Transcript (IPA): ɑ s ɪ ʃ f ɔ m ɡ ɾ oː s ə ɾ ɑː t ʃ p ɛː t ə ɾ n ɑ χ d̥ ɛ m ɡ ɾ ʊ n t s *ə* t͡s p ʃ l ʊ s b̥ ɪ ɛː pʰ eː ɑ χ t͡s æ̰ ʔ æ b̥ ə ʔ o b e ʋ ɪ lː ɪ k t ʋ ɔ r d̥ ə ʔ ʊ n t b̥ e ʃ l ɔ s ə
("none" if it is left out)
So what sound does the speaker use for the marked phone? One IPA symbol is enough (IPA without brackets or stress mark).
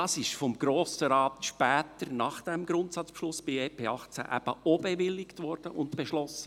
ɑ